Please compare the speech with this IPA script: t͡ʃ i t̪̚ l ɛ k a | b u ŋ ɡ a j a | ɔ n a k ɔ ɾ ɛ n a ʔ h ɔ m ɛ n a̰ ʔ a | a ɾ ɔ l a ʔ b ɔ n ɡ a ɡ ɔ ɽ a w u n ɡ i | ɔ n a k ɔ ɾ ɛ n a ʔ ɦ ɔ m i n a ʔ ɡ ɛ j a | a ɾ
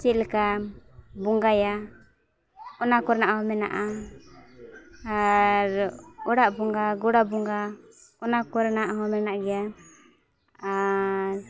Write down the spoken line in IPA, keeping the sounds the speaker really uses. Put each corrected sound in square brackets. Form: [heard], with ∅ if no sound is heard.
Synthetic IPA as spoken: t͡ʃ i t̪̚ l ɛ k a | b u ŋ ɡ a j a | ɔ n a k ɔ ɾ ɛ n a ʔ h ɔ m ɛ n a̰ ʔ a | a ɾ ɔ [ɽ] a ʔ b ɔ [ŋ] ɡ a ɡ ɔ ɽ a [b] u [ŋ] ɡ [a] | ɔ n a k ɔ ɾ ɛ n a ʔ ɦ ɔ m [ɛ] n a ʔ ɡ ɛ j a | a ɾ